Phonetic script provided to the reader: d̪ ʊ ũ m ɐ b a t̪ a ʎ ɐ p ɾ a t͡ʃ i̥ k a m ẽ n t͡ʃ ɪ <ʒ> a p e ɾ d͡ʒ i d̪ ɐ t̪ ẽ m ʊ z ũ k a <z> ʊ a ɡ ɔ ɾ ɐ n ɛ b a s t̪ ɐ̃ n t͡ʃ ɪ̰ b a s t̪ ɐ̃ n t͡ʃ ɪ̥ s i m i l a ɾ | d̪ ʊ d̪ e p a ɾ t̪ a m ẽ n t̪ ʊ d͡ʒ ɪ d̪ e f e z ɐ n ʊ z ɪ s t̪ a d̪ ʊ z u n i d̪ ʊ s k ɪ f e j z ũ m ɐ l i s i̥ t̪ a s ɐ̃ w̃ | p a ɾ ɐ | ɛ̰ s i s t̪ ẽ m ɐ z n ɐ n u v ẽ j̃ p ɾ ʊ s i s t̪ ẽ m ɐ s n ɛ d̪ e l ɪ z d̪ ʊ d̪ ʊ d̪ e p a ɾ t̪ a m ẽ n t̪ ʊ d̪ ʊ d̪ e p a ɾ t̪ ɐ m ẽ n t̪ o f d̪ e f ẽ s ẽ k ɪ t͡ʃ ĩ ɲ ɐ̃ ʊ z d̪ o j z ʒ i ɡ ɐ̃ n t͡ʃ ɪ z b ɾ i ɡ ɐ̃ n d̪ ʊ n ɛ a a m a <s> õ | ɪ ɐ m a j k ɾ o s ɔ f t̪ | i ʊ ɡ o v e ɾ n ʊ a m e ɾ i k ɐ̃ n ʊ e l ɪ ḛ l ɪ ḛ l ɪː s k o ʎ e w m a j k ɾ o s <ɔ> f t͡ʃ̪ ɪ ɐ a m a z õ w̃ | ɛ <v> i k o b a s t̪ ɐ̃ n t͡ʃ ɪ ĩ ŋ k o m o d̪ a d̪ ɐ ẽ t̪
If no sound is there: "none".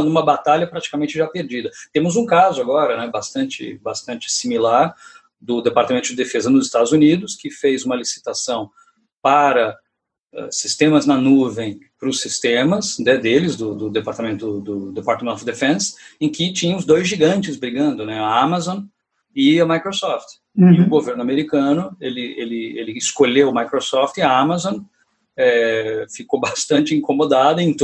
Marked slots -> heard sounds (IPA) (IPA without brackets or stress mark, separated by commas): ʒ, z, z, ɔ, f